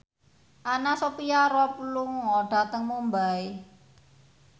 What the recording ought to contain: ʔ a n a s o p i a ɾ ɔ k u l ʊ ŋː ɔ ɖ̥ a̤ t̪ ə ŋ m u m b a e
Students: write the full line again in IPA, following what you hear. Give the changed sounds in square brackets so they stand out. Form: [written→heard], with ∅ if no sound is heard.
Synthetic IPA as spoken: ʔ a n a s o p i a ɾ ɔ [k→p] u l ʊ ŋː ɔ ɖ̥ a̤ t̪ ə ŋ m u m b a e